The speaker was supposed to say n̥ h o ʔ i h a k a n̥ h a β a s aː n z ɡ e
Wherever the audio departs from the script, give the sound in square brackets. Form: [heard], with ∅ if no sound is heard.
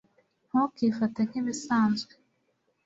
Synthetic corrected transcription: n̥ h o [k] i [f] a [t] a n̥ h [i] β [i] s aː n z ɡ e